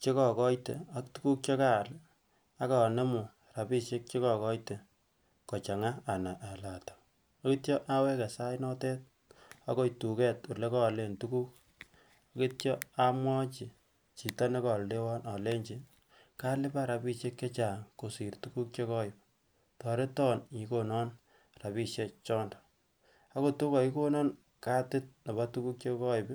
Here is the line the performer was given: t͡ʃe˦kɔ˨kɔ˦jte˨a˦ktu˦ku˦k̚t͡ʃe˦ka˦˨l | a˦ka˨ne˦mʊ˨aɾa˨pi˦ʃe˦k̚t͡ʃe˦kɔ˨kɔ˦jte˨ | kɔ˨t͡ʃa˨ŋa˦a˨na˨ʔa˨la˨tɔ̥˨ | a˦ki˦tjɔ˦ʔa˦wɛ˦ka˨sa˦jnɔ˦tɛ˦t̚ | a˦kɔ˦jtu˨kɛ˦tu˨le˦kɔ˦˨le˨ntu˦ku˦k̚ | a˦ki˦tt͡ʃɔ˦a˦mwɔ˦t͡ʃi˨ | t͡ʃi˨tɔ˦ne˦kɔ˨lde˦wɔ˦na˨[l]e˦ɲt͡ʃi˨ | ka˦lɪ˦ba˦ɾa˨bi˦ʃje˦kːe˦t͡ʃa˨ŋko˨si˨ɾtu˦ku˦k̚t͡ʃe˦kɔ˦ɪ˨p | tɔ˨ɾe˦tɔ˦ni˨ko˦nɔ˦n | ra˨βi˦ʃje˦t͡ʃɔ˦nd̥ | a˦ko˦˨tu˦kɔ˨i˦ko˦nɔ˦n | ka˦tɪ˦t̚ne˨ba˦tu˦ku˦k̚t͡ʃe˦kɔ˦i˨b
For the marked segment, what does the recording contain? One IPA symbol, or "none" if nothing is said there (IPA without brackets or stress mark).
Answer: l